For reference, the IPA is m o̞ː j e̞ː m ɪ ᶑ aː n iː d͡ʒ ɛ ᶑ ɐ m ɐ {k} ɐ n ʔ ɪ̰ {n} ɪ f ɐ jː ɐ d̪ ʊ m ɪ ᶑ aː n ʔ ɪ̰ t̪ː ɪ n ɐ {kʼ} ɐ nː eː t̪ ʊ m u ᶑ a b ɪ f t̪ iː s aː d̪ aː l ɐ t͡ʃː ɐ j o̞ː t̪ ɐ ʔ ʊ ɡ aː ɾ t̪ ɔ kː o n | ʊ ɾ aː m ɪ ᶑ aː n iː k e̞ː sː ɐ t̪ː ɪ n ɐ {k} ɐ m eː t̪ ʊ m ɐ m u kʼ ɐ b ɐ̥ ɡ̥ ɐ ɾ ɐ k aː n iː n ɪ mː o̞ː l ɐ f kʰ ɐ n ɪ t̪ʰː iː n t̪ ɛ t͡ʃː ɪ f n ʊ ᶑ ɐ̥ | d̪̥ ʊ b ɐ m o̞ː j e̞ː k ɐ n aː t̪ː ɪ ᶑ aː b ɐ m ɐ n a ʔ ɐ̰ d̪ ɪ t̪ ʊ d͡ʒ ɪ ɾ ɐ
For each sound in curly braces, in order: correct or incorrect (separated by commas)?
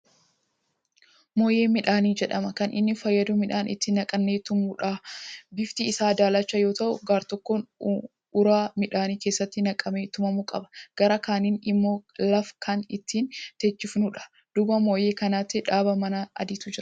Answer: correct, incorrect, correct, incorrect